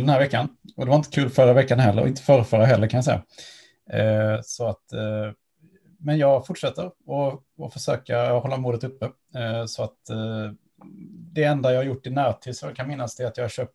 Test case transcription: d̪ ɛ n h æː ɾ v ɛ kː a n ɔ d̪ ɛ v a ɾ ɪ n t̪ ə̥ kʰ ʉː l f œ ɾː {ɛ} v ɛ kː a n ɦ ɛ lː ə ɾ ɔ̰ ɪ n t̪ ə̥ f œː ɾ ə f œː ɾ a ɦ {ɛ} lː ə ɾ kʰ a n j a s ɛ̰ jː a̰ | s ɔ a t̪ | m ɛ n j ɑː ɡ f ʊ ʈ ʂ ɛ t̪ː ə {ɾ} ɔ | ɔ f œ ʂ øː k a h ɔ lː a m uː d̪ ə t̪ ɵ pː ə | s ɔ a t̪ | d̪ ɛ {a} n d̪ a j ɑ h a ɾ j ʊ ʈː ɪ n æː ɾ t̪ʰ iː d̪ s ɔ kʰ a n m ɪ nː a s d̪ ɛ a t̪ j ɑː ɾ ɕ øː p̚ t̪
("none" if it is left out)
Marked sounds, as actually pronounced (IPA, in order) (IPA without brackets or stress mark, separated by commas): a, ɛ, ɾ, ɛ